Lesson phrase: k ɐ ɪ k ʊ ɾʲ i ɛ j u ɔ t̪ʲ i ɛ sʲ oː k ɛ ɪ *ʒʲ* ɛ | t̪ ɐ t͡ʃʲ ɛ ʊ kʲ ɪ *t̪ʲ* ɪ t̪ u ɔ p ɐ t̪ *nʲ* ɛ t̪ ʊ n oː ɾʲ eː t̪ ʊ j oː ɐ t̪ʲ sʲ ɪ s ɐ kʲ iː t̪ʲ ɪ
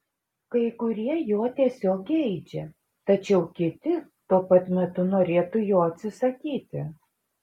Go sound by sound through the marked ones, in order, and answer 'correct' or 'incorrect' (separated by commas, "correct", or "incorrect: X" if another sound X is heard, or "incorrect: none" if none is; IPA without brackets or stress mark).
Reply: incorrect: d͡ʒʲ, correct, incorrect: mʲ